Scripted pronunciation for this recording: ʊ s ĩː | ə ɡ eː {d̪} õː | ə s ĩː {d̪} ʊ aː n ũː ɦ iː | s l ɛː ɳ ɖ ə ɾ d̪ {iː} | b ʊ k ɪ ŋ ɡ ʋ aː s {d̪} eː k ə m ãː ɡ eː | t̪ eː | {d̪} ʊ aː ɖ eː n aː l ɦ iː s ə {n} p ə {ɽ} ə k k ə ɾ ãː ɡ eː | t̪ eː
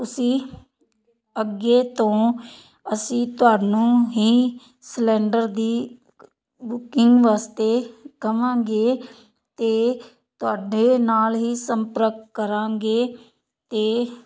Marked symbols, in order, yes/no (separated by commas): no, no, yes, no, no, no, no